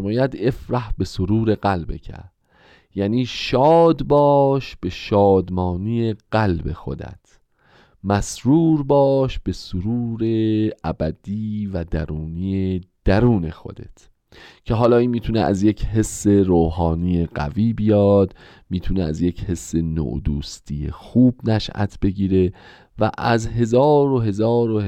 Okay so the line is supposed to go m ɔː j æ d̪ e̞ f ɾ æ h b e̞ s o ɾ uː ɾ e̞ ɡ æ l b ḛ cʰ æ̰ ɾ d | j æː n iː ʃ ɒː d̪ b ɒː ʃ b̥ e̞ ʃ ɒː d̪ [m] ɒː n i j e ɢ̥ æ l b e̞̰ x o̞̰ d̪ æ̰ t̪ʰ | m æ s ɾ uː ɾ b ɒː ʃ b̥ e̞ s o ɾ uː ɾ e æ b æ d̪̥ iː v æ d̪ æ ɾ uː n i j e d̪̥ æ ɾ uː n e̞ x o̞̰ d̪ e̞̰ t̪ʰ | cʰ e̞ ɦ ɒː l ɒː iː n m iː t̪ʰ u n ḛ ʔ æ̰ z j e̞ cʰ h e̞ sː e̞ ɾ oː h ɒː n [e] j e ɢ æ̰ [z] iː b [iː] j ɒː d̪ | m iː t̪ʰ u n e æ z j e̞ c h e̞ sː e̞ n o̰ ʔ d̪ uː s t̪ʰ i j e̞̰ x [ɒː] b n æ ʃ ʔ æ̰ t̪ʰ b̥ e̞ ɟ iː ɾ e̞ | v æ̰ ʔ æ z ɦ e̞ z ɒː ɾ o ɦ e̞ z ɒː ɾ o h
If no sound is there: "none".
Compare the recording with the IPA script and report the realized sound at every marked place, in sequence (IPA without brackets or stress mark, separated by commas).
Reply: m, i, v, i, uː